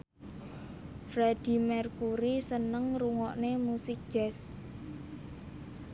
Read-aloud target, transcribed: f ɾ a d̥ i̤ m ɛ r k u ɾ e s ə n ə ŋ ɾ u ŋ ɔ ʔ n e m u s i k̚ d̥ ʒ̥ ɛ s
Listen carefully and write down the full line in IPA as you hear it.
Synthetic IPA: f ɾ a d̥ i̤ m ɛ r k u ɾ i s ə n ə ŋ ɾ u ŋ ɔ ʔ n e m u s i k̚ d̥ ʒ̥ ɛ s